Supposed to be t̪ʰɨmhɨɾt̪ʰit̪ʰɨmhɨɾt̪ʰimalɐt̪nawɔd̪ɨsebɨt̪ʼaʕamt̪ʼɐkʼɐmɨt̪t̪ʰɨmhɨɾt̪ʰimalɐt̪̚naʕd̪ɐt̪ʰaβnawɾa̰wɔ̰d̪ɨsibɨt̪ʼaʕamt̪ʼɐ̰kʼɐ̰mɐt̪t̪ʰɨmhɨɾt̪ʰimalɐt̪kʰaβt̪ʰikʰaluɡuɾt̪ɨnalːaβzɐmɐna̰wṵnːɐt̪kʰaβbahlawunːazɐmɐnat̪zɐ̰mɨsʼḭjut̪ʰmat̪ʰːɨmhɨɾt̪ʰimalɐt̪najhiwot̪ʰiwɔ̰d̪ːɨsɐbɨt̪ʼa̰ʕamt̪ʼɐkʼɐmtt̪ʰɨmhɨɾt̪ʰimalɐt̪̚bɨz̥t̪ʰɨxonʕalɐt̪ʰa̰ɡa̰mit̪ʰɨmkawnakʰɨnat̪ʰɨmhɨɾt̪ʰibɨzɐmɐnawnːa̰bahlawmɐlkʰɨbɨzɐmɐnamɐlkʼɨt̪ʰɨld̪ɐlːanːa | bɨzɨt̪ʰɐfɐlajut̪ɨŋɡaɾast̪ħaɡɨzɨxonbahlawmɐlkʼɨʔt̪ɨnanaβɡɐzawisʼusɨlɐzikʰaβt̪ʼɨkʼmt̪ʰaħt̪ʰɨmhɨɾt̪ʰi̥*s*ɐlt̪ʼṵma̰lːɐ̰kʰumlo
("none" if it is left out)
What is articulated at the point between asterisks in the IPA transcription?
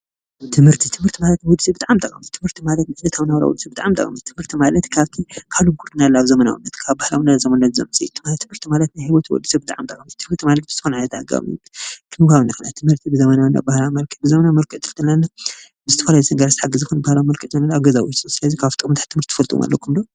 f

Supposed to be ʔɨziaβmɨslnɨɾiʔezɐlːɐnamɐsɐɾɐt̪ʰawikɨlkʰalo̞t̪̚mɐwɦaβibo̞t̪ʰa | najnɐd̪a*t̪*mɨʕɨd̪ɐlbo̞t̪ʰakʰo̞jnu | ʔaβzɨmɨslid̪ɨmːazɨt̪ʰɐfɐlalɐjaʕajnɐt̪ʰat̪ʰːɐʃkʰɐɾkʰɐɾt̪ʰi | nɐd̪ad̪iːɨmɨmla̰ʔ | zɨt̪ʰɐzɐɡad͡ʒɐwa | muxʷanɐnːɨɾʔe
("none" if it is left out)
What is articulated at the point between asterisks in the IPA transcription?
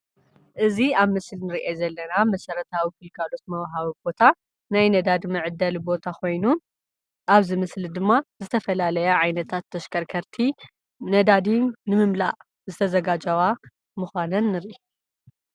d̪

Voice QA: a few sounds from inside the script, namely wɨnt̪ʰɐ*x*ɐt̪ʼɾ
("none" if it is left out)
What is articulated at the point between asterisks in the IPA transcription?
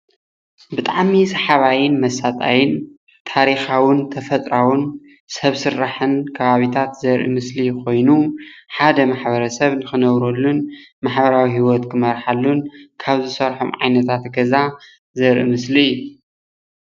f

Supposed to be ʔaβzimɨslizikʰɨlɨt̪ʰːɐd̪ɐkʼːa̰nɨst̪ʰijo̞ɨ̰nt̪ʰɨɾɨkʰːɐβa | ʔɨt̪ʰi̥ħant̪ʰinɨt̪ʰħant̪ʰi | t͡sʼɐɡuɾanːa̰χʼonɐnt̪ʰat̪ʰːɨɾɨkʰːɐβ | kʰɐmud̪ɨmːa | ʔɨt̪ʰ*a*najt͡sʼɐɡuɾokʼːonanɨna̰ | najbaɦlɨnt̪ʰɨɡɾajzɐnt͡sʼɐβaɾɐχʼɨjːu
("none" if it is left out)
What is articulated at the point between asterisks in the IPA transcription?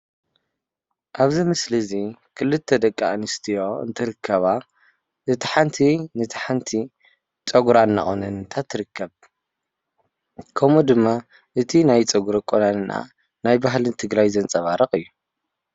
i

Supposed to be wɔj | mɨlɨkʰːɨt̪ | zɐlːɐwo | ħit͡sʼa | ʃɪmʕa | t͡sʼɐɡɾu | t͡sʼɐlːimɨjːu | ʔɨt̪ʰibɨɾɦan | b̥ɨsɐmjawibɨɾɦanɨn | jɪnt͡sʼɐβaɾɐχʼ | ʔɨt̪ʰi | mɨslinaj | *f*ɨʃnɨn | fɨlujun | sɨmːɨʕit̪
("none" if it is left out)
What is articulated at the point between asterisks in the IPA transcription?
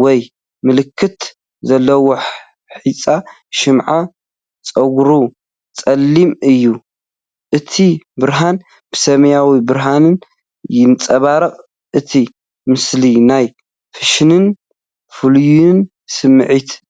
f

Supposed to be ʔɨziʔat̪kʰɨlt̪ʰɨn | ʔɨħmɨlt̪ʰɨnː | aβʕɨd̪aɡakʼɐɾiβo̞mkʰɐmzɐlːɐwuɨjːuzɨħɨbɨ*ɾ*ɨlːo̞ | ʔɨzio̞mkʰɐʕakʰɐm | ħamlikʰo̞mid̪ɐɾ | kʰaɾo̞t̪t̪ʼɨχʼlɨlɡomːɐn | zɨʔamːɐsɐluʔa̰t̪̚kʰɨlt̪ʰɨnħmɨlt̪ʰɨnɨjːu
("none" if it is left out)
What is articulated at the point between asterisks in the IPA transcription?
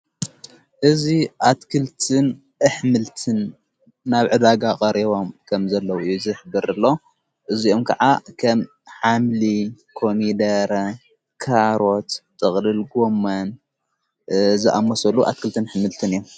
ɾ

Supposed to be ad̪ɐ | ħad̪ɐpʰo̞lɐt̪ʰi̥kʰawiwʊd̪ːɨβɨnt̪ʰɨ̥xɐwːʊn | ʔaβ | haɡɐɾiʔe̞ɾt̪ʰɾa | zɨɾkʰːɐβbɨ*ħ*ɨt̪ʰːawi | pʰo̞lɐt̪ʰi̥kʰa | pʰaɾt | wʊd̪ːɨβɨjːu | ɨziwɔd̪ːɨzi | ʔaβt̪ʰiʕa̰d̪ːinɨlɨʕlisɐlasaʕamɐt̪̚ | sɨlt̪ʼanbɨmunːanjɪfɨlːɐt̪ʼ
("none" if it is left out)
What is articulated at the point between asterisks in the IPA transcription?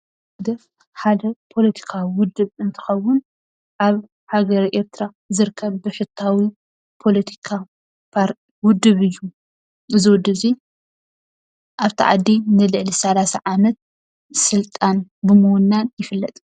ħ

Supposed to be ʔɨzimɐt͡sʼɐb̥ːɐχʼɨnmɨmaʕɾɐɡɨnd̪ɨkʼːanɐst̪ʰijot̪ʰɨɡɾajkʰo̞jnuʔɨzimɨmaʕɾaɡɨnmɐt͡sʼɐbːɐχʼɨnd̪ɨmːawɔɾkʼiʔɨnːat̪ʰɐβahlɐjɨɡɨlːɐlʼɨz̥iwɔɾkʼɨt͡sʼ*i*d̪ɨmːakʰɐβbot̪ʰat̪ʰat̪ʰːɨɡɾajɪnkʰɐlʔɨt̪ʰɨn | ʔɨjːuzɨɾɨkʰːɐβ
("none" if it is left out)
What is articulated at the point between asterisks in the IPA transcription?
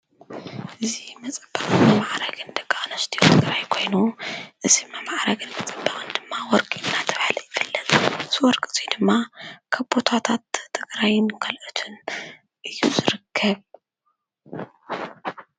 i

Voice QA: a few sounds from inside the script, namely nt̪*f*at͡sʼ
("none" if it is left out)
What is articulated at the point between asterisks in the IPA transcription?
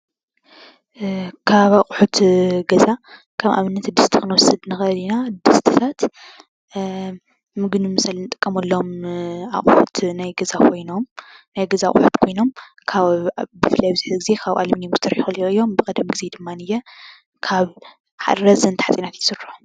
ħ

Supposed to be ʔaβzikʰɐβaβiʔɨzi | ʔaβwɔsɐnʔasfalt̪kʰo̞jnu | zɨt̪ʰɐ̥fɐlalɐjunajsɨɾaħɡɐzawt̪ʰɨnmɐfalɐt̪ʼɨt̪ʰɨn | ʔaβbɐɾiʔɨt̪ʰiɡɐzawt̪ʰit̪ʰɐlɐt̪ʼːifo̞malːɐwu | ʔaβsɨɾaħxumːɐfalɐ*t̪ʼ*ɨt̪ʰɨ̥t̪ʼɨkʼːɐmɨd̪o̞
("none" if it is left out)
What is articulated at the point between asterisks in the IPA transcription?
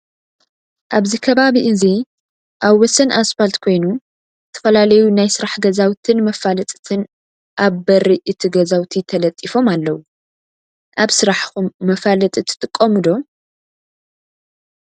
t̪ʼ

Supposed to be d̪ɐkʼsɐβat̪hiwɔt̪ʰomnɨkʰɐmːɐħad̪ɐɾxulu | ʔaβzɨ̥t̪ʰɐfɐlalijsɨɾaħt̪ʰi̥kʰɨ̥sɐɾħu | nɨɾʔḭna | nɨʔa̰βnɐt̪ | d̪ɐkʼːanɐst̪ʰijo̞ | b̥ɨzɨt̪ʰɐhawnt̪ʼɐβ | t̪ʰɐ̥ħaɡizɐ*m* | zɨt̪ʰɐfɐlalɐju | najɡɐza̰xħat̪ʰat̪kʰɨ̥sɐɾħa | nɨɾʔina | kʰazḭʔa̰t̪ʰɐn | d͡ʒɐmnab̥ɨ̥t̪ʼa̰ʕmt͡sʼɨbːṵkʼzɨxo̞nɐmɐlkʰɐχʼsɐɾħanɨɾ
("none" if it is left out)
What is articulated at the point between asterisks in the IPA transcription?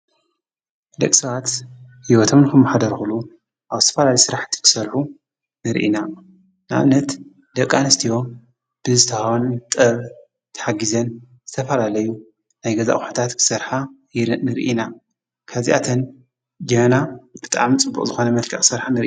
n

